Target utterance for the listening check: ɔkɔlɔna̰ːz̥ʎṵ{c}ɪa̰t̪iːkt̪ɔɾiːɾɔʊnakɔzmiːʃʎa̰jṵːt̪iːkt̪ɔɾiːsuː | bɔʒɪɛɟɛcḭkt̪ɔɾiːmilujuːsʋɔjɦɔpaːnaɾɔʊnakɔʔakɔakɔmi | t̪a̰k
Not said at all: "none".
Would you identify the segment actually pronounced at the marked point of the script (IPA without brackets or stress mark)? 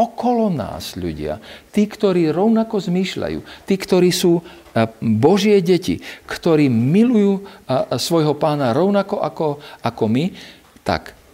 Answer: ɟ